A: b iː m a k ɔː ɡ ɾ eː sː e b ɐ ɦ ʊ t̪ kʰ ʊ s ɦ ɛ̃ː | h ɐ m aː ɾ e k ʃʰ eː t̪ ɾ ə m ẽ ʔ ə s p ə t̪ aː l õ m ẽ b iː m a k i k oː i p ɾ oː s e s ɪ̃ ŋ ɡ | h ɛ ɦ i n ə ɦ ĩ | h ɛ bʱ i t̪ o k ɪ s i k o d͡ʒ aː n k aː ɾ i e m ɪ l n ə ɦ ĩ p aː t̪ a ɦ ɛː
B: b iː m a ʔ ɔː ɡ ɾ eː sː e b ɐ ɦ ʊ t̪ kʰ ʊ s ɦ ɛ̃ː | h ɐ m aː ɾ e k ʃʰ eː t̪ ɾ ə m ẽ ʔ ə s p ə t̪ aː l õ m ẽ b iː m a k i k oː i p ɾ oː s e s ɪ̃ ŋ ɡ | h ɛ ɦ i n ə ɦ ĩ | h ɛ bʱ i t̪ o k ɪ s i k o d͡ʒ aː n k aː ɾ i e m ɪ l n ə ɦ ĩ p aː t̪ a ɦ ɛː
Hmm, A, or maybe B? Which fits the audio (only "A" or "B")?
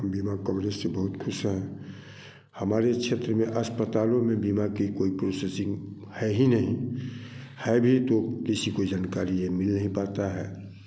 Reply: A